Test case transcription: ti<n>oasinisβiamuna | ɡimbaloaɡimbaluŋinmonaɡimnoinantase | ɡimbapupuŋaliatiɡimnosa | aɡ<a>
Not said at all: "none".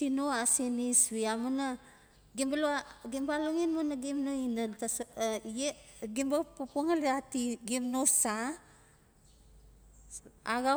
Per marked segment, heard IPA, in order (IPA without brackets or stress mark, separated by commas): n, a